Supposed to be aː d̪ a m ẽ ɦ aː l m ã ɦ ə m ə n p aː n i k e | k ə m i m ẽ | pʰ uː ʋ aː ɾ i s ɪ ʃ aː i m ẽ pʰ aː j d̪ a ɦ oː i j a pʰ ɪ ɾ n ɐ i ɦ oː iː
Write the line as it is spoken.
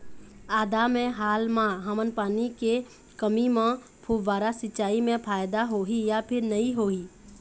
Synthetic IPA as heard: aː d̪ a m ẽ ɦ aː l m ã ɦ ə m ə n p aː n i k e | k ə m i m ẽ | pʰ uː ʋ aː ɾ a s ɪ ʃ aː i m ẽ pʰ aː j d̪ a ɦ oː i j a pʰ ɪ ɾ n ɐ i ɦ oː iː